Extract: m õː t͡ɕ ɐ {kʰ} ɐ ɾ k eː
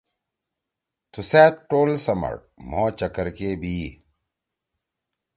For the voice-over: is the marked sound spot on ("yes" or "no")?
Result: no